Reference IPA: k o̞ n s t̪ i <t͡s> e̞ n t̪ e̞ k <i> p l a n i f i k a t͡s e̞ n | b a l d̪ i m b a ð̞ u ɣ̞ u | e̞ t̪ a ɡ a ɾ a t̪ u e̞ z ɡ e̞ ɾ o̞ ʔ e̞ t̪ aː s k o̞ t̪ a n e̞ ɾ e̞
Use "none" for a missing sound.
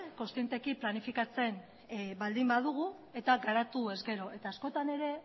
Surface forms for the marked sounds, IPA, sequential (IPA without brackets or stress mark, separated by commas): none, i